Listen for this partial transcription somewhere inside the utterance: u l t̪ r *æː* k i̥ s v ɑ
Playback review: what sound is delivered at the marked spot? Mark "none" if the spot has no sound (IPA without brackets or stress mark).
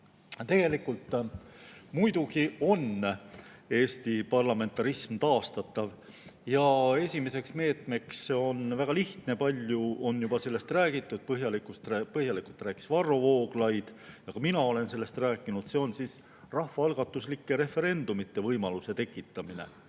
æː